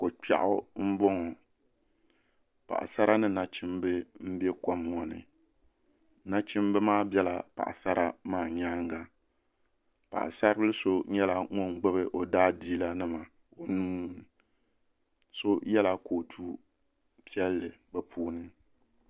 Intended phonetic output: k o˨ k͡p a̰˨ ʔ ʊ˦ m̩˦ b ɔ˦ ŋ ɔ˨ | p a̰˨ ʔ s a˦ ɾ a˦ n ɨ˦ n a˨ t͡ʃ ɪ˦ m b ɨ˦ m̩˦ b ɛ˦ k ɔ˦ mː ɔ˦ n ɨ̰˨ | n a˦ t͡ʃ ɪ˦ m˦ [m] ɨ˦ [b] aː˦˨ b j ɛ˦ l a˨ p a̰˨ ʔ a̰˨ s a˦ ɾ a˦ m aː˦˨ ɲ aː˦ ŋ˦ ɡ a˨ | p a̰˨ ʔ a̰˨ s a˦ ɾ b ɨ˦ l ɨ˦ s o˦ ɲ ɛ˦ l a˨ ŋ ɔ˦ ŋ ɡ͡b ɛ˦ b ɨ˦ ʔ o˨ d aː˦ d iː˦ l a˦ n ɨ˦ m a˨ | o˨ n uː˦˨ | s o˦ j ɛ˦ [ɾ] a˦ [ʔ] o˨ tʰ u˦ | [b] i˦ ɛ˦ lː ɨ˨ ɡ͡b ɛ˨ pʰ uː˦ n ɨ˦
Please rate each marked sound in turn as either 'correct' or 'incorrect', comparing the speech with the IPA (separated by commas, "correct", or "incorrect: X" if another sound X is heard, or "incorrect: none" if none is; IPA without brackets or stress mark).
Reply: incorrect: b, incorrect: m, incorrect: l, incorrect: k, incorrect: p